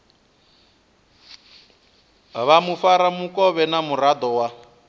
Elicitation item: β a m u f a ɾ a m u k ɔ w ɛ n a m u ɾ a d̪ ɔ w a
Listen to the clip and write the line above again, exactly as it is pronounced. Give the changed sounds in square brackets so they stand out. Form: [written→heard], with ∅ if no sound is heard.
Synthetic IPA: β a m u f a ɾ a m u k ɔ [w→β] ɛ n a m u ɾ a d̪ ɔ w a